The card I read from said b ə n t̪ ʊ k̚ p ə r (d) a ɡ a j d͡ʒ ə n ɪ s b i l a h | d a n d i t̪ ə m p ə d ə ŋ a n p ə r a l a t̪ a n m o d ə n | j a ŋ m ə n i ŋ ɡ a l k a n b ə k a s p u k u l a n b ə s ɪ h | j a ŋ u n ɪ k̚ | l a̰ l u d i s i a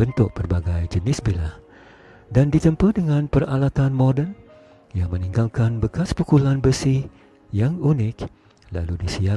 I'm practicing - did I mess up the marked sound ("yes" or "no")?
yes